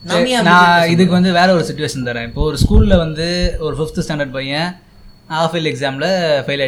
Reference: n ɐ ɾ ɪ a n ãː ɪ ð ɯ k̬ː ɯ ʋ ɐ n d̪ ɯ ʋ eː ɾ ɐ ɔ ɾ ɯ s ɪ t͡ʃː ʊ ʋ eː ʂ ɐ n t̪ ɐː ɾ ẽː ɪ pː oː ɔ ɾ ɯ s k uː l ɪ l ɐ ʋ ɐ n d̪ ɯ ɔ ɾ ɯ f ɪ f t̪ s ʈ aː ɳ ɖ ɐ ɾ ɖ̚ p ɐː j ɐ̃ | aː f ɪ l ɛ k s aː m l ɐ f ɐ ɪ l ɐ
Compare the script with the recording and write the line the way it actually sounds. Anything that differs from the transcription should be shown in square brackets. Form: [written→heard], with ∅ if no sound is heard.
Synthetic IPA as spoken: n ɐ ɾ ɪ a n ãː ɪ ð ɯ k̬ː ɯ ʋ ɐ n d̪ ɯ ʋ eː ɾ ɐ ɔ ɾ ɯ s ɪ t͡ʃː ʊ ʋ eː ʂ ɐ n t̪ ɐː ɾ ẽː ɪ pː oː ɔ ɾ ɯ s k uː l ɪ l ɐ ʋ ɐ n d̪ ɯ ɔ ɾ ɯ f ɪ f t̪ s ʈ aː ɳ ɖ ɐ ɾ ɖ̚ p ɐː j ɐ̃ | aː f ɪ l ɛ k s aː m l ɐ f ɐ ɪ l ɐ